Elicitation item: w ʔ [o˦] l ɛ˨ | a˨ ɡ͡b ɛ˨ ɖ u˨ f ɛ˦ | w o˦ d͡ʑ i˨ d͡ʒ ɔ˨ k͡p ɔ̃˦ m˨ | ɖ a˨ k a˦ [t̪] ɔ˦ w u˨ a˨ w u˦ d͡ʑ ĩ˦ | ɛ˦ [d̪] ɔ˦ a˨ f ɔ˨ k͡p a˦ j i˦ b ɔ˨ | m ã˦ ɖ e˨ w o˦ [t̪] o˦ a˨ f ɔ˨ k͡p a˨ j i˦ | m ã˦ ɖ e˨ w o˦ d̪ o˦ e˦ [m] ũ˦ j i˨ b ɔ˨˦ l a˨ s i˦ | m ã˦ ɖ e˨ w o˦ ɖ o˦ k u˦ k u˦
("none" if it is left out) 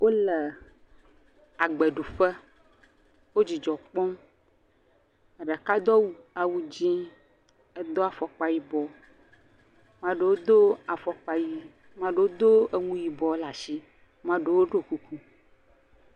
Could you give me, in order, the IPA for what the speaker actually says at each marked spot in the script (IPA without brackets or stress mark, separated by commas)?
o˦, d̪, d̪, d̪, ŋ